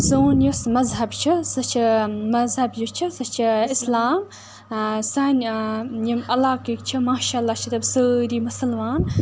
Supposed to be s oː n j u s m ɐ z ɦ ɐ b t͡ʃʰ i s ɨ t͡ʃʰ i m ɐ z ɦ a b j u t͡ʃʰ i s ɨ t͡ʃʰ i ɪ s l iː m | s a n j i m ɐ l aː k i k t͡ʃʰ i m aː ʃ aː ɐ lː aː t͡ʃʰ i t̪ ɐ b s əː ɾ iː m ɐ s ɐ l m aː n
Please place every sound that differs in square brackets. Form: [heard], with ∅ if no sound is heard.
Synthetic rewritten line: s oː n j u s m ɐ z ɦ ɐ b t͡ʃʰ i s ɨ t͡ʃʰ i m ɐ z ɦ [ɐ] b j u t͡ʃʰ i s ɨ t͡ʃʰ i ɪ s l [aː] m | s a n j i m ɐ l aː k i k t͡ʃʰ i m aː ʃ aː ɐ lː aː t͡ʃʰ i t̪ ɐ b s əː ɾ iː m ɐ s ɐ l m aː n